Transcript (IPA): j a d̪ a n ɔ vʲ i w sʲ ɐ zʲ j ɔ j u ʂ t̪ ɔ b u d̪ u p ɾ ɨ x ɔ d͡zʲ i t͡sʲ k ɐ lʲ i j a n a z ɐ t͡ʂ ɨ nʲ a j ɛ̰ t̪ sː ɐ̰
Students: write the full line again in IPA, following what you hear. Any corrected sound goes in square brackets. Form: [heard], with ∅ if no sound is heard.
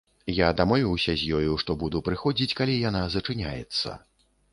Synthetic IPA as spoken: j a d̪ a [m] ɔ vʲ i w sʲ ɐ zʲ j ɔ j u ʂ t̪ ɔ b u d̪ u p ɾ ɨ x ɔ d͡zʲ i t͡sʲ k [a] lʲ i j a n a z ɐ t͡ʂ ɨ nʲ a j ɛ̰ t̪ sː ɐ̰

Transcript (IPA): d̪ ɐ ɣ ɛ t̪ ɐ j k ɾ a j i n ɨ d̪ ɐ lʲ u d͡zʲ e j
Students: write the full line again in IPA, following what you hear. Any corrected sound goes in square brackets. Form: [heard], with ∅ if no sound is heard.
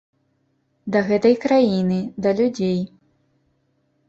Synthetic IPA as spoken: d̪ ɐ ɣ ɛ t̪ ɐ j k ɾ a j i n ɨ d̪ ɐ lʲ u d͡zʲ e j

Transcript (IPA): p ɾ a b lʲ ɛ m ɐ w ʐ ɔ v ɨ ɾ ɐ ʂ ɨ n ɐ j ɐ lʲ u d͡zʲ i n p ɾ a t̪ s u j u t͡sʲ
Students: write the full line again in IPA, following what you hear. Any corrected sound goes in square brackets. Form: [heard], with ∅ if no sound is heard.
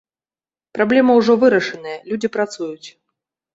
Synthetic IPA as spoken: p ɾ a b lʲ ɛ m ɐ w ʐ ɔ v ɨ ɾ ɐ ʂ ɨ n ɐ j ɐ lʲ u d͡zʲ i [∅] p ɾ a t̪ s u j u t͡sʲ

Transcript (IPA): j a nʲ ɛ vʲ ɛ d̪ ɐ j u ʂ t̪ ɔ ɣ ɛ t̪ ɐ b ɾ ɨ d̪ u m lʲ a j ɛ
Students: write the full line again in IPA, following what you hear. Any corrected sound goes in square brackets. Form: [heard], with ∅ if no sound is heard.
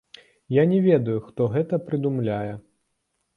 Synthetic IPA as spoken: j a nʲ ɛ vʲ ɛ d̪ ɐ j u [x] t̪ ɔ ɣ ɛ t̪ ɐ [p] ɾ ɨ d̪ u m lʲ a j ɛ

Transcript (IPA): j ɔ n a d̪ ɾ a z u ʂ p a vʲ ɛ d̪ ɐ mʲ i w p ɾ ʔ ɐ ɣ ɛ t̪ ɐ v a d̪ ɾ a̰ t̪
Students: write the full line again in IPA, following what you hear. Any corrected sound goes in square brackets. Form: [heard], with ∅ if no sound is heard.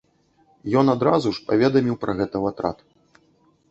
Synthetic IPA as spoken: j ɔ n a d̪ ɾ a z u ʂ p a vʲ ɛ d̪ ɐ mʲ i w p ɾ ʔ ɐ ɣ ɛ t̪ ɐ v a [t̪] ɾ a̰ t̪

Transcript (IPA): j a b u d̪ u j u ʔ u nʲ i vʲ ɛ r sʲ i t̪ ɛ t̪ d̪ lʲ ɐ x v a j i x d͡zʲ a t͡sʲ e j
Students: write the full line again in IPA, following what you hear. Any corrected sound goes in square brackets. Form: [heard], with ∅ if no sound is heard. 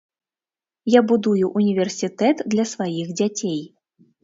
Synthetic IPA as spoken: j a b u d̪ u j u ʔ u nʲ i vʲ ɛ r sʲ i t̪ ɛ t̪ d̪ lʲ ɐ [s] v a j i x d͡zʲ a t͡sʲ e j

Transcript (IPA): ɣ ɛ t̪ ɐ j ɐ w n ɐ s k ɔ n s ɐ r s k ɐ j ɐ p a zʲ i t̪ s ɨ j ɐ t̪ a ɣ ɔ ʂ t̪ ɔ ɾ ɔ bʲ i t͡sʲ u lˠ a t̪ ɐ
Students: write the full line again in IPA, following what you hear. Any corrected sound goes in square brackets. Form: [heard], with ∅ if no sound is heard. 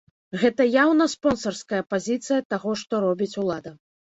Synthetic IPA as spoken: ɣ ɛ t̪ ɐ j [a] w n ɐ s [p] ɔ n s ɐ r s k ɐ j ɐ p a zʲ i t̪ s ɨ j ɐ t̪ a ɣ ɔ ʂ t̪ ɔ ɾ ɔ bʲ i t͡sʲ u lˠ a [d̪] ɐ

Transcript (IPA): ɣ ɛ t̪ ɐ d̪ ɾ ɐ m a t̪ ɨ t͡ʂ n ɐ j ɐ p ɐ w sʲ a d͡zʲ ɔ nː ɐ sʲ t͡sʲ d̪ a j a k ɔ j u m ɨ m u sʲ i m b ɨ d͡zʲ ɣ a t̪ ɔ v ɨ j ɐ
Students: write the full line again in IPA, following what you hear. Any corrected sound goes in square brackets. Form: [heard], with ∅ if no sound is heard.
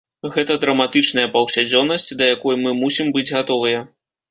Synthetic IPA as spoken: ɣ ɛ t̪ ɐ d̪ ɾ ɐ m a t̪ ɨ t͡ʂ n ɐ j ɐ p ɐ w sʲ a d͡zʲ ɔ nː ɐ sʲ t͡sʲ d̪ [ɐ] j a k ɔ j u m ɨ m u sʲ i m b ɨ d͡zʲ ɣ a t̪ ɔ v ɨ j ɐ

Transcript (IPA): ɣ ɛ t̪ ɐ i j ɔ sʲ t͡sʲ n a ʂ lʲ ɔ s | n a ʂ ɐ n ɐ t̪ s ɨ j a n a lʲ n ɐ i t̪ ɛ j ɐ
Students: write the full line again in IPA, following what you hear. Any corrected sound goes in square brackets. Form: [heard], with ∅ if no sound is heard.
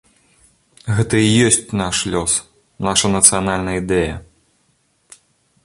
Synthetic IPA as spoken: ɣ ɛ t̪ ɐ i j ɔ sʲ t͡sʲ n a ʂ lʲ ɔ s | n a ʂ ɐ n ɐ t̪ s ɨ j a n a lʲ n ɐ i [d̪] ɛ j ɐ

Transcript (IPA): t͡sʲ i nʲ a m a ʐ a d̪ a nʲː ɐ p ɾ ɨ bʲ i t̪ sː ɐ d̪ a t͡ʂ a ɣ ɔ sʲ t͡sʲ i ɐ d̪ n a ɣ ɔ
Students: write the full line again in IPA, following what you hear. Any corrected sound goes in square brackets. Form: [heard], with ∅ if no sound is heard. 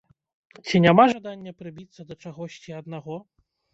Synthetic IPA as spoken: t͡sʲ i nʲ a m a ʐ a d̪ a nʲː ɐ p ɾ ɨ bʲ i t̪ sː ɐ d̪ [ɐ] t͡ʂ a ɣ ɔ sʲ t͡sʲ i ɐ d̪ n a ɣ ɔ

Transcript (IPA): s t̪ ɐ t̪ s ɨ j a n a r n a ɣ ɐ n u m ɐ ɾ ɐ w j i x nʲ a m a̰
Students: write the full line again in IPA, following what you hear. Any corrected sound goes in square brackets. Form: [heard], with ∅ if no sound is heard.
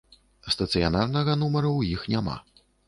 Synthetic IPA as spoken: s t̪ ɐ t̪ s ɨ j a n a r n [ɐ] ɣ ɐ n u m ɐ ɾ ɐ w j i x nʲ a m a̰

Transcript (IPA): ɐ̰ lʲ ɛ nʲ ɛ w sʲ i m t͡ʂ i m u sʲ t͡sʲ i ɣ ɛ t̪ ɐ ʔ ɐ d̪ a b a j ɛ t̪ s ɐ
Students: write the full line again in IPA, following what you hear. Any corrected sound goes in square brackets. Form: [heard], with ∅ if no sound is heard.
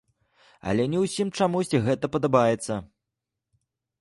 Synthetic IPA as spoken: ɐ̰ lʲ ɛ nʲ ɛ w sʲ i m t͡ʂ [a] m u sʲ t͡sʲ i ɣ ɛ t̪ ɐ [p] ɐ d̪ a b a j ɛ t̪ [sː] ɐ

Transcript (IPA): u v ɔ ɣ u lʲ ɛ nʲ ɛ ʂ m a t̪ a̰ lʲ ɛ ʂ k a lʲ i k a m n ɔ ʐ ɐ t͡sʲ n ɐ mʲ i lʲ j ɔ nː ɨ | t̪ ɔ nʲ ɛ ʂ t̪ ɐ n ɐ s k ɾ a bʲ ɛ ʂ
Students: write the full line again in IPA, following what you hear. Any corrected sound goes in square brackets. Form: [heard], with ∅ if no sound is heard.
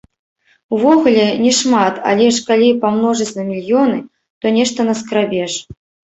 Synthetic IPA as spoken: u v ɔ ɣ u lʲ ɛ nʲ ɛ ʂ m a t̪ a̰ lʲ ɛ ʂ k a lʲ i [p] a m n ɔ ʐ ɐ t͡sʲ n ɐ mʲ i lʲ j ɔ [n] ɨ | t̪ ɔ nʲ ɛ ʂ t̪ ɐ n ɐ s k ɾ a bʲ ɛ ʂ

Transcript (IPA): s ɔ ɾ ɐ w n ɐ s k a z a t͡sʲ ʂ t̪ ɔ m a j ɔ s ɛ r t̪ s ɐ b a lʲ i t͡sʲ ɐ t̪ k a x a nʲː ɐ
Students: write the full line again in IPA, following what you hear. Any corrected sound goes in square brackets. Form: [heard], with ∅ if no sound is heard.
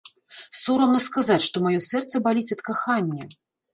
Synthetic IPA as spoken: s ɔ ɾ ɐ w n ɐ s k a z a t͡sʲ ʂ t̪ ɔ m a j ɔ s ɛ r t̪ s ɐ b a lʲ i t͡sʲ ɐ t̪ k a x a nʲː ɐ

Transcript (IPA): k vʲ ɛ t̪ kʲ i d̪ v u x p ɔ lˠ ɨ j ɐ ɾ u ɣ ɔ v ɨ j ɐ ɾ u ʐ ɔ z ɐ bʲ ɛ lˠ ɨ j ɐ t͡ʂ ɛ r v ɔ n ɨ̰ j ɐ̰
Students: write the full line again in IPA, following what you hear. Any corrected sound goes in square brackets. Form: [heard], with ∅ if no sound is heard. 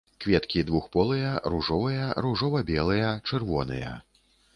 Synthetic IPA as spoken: k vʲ ɛ t̪ kʲ i d̪ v u x p ɔ lˠ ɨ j ɐ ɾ u [ʐ] ɔ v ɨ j ɐ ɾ u ʐ ɔ [v] ɐ bʲ ɛ lˠ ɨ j ɐ t͡ʂ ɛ r v ɔ n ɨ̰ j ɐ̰

